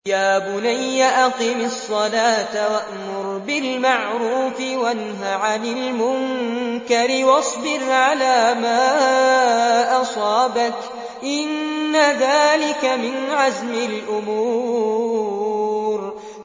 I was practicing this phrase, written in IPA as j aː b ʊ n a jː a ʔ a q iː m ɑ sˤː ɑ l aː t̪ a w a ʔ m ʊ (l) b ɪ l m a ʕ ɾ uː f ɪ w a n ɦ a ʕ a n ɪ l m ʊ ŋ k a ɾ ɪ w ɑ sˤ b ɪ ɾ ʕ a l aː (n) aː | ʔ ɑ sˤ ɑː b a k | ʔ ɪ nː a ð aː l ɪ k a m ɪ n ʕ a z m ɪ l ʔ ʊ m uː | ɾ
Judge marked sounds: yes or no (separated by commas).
no, no